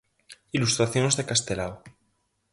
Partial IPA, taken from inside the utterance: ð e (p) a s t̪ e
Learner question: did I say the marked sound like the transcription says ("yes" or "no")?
no